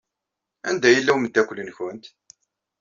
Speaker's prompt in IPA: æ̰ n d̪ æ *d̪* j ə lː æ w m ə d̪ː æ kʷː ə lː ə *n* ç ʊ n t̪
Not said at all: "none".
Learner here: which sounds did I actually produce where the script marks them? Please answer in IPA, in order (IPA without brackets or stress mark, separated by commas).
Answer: none, n